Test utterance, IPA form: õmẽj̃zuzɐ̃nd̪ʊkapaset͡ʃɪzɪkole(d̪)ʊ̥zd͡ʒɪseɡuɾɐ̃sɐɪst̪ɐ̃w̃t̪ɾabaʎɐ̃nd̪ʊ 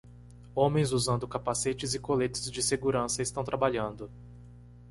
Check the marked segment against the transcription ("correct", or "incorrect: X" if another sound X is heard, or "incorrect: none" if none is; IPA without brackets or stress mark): incorrect: t̪